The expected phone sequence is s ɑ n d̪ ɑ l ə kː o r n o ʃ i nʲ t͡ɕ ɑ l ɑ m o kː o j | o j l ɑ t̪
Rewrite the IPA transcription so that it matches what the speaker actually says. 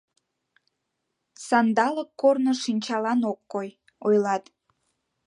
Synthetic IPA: s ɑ n d̪ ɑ l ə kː o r n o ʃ i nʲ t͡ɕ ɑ l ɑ n o kː o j | o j l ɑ t̪